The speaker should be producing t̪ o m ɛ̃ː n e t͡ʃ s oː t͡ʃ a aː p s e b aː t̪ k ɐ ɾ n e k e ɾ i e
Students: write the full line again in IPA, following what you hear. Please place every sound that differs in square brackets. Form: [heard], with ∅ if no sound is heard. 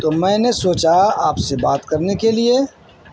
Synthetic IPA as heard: t̪ o m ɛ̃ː n e [∅] s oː t͡ʃ a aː p s e b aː t̪ k ɐ ɾ n e k e [l] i e